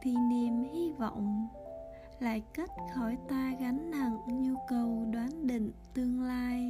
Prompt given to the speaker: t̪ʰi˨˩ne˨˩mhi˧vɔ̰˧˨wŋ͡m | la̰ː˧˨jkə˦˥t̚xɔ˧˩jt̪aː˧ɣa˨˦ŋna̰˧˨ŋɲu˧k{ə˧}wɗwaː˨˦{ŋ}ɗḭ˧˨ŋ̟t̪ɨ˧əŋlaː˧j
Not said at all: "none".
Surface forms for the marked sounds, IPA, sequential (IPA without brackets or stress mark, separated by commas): ə˨˩, n